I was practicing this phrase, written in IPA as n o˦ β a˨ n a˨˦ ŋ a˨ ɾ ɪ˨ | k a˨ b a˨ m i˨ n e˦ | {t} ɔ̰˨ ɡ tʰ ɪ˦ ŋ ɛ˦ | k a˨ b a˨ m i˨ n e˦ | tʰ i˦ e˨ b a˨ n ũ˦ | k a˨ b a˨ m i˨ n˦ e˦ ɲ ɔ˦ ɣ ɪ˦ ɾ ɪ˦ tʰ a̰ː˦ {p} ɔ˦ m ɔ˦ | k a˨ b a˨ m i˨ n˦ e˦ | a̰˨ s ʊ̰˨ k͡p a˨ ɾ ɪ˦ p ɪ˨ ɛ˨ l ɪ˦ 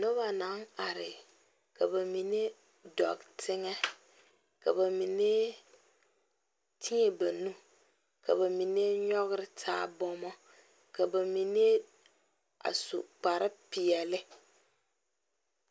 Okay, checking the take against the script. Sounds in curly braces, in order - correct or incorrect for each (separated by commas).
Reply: incorrect, incorrect